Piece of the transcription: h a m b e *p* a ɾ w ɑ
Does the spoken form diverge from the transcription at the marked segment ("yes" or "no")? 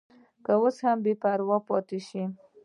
no